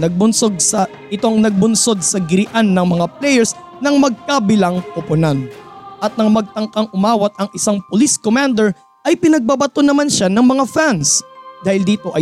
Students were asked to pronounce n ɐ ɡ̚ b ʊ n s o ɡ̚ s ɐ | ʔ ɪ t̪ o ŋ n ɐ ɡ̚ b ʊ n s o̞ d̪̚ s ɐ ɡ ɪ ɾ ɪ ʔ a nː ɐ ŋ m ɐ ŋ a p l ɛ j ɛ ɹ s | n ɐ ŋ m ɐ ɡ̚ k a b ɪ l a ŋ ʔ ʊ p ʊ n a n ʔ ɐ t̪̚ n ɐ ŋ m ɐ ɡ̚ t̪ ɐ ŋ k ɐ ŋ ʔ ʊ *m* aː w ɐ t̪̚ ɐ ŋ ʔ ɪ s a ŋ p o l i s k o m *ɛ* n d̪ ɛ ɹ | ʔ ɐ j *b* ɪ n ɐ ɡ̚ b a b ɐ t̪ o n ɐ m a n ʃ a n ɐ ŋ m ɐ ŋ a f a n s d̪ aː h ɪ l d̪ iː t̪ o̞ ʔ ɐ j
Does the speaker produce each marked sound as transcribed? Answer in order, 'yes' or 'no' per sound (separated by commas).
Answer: yes, no, no